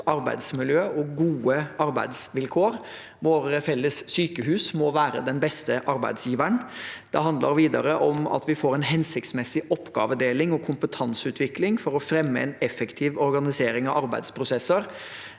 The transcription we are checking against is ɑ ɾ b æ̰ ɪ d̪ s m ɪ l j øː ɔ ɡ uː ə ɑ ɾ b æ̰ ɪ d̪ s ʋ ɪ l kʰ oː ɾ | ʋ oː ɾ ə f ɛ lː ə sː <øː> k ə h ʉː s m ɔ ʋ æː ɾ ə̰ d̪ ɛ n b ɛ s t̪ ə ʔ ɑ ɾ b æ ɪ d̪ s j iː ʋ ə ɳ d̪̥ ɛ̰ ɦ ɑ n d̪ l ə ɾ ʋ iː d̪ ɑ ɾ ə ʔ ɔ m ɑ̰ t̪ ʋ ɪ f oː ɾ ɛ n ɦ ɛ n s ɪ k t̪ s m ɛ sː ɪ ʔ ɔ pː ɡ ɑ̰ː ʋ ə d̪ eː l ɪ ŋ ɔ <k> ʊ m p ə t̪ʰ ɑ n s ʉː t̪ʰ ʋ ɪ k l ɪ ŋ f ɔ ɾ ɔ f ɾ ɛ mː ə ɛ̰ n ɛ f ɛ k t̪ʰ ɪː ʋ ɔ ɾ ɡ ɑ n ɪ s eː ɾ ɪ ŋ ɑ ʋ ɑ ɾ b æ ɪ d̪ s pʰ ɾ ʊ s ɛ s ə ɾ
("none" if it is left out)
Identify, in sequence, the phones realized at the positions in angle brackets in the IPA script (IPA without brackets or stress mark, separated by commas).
yː, kʰ